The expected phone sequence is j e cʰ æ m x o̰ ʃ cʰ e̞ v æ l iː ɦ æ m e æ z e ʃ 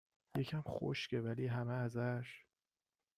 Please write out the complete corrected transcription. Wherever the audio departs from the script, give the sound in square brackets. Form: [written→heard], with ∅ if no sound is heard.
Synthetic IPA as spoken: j e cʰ æ m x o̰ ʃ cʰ e̞ v æ l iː ɦ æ m e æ z [e→æ] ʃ